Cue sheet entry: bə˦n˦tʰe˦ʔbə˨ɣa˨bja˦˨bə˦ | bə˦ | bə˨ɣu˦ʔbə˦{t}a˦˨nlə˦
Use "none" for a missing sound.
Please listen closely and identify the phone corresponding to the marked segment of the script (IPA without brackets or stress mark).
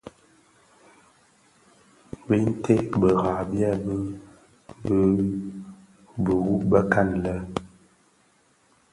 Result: k